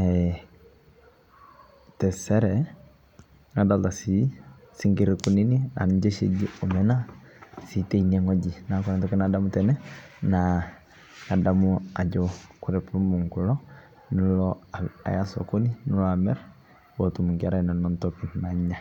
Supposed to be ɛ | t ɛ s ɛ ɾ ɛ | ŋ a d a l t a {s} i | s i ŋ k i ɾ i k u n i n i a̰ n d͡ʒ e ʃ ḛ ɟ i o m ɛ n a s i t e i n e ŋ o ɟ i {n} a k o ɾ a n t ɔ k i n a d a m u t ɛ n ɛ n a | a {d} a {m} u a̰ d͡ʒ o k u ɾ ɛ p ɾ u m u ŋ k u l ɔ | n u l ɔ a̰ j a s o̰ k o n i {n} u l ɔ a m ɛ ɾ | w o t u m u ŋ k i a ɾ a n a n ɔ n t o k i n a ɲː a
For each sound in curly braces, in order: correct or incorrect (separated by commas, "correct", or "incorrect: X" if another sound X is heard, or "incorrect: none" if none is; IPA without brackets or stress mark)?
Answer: correct, correct, correct, correct, correct